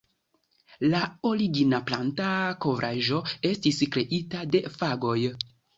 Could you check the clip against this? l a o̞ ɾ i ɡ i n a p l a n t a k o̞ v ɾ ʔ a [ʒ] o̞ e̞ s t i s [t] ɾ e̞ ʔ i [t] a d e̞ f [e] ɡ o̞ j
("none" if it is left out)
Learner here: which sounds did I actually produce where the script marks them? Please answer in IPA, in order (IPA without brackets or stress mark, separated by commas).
ʒ, k, t, a